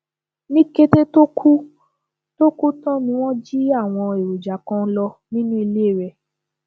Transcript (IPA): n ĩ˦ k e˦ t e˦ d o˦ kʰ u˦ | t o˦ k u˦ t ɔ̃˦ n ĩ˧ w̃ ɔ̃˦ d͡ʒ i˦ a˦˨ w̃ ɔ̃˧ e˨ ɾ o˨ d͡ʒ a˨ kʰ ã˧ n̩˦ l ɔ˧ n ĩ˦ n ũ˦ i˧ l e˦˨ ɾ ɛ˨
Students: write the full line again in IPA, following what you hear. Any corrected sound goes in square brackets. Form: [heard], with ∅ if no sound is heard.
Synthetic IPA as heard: n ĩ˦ k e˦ t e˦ [t] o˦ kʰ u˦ | t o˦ k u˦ t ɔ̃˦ n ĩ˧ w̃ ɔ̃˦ d͡ʒ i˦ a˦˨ w̃ ɔ̃˧ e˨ ɾ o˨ d͡ʒ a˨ [k] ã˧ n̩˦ l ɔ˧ n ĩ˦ n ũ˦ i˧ l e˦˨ ɾ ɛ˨